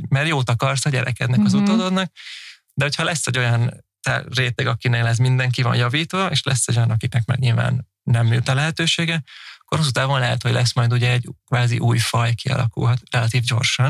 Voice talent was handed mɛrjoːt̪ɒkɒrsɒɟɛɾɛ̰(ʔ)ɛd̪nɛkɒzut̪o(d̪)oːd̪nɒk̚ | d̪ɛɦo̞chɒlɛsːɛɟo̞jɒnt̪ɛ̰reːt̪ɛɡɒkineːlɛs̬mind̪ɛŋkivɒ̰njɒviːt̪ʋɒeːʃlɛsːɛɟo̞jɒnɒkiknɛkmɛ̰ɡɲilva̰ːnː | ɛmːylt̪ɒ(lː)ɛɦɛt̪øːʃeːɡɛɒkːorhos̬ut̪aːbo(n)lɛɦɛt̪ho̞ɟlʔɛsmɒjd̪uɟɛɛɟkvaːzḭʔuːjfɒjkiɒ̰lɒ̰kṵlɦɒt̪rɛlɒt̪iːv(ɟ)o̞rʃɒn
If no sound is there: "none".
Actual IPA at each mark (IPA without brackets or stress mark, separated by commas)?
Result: k, d̪, l, n, ɟ